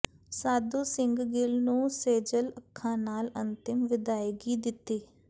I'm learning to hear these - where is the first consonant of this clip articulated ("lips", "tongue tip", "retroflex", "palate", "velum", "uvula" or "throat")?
tongue tip